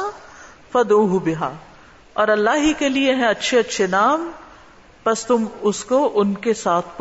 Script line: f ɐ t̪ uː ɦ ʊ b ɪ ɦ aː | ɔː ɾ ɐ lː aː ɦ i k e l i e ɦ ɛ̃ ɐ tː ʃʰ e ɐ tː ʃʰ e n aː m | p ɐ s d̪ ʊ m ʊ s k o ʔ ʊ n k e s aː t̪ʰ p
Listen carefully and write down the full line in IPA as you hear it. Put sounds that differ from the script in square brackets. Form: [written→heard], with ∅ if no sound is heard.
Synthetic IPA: f ɐ [t̪→d̪] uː ɦ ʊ b ɪ ɦ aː | ɔː ɾ ɐ lː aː ɦ i k e l i e ɦ ɛ̃ ɐ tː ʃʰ e ɐ tː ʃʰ e n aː m | p ɐ s [d̪→t̪] ʊ m ʊ s k o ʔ ʊ n k e s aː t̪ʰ p